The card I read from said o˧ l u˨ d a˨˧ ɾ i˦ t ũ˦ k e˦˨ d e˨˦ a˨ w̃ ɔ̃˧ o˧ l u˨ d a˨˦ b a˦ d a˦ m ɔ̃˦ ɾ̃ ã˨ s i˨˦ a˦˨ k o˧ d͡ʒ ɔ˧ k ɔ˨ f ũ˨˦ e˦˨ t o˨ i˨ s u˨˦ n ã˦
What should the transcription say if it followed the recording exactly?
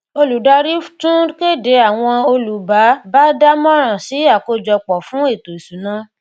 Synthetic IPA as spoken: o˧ l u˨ d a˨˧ ɾ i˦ t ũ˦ k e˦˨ d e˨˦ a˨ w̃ ɔ̃˧ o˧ l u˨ b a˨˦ b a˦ d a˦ m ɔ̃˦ ɾ̃ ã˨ s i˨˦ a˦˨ k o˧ d͡ʒ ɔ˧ k͡p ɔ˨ f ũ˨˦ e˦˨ t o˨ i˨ s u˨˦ n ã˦